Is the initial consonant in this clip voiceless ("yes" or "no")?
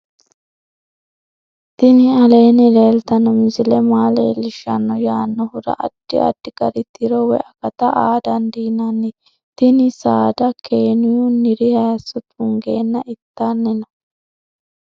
yes